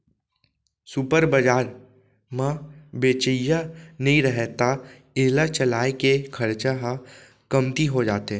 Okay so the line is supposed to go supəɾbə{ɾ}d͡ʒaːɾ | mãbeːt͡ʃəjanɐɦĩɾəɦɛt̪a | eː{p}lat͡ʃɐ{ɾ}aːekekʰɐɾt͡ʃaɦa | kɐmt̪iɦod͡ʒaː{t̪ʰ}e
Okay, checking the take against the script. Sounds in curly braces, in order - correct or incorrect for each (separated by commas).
incorrect, incorrect, incorrect, incorrect